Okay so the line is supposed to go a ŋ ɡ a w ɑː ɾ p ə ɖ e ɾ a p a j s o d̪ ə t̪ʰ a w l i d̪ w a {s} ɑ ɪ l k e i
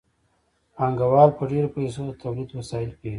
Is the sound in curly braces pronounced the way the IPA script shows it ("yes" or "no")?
yes